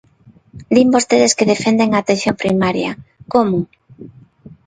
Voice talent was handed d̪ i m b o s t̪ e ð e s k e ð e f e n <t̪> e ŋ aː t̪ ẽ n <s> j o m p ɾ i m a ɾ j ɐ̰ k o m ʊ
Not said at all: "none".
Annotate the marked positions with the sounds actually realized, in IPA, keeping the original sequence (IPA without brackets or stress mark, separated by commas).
d̪, θ